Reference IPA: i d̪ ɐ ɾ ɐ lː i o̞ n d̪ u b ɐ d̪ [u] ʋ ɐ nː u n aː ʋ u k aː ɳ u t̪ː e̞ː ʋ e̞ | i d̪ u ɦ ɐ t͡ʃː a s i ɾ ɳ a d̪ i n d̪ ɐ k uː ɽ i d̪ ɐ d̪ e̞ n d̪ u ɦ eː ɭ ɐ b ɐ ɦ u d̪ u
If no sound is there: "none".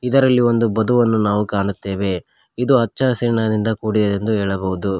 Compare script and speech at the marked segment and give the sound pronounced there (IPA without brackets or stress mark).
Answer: u